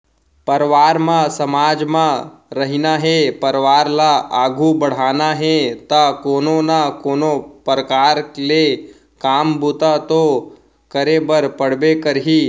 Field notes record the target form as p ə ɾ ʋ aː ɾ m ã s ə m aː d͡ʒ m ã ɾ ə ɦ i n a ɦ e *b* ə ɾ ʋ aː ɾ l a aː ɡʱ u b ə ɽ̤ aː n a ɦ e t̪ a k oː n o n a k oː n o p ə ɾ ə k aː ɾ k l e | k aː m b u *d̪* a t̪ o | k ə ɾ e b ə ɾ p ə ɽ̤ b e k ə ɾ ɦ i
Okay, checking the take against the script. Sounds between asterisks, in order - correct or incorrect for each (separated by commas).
incorrect, incorrect